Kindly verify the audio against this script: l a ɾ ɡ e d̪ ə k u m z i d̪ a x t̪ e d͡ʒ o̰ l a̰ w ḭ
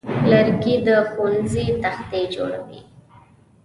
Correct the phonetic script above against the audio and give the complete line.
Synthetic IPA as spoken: l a ɾ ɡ i d̪ ə x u n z i t̪ a x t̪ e d͡ʒ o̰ ɽ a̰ w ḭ